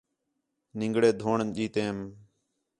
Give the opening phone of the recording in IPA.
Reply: n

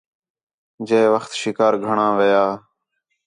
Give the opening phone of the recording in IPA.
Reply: d͡ʒ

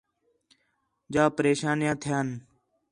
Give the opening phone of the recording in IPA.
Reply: d͡ʒ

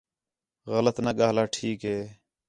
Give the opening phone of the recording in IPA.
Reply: ɣ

